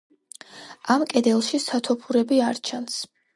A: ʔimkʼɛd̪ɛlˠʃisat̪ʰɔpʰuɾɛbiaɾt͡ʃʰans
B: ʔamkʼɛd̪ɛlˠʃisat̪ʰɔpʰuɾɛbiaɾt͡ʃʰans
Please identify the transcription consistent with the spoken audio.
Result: B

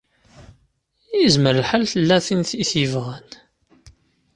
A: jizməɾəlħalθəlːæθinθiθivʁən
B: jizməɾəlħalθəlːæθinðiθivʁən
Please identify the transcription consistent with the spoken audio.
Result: A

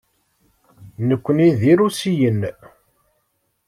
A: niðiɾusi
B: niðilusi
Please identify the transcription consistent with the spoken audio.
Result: A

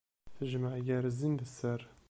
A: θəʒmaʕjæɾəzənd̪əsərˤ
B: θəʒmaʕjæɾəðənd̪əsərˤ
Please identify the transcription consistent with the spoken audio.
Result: A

